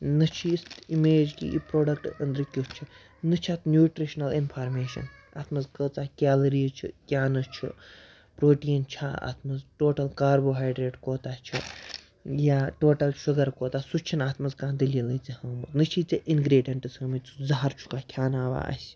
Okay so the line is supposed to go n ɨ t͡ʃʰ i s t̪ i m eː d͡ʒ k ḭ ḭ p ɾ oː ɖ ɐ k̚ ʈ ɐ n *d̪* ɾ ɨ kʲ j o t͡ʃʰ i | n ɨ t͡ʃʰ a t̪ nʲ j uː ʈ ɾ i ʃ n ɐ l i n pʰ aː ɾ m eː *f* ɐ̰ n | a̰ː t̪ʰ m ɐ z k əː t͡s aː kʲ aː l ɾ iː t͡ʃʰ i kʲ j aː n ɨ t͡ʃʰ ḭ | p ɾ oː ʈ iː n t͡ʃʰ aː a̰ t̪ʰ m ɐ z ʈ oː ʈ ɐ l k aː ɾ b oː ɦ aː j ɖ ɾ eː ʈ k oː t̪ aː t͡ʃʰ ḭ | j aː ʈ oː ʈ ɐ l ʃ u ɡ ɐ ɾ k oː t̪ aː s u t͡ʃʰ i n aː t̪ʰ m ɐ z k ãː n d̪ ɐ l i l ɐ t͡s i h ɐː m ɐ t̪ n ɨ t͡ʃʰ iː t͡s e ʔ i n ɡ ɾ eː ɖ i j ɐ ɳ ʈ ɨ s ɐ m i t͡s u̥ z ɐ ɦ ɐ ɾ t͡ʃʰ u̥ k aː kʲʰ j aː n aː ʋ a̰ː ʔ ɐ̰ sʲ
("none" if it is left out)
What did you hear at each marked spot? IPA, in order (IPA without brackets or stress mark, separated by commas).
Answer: d̪, ʃ